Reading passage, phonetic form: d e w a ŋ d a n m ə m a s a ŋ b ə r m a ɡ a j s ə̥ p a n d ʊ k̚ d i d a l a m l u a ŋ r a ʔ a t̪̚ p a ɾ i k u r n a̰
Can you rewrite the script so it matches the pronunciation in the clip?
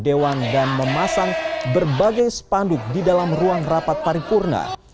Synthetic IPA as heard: d e w a n d a n m ə m a s a ŋ b ə r b a ɡ a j s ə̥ p a n d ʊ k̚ d i d a l a m r u a ŋ r a p a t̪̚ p a ɾ i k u r n a̰